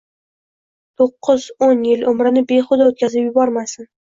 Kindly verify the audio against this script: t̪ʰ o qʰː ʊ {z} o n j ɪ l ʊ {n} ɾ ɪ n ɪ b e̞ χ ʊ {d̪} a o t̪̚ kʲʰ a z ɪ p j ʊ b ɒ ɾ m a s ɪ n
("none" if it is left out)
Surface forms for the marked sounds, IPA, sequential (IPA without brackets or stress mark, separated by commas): z, m, d̪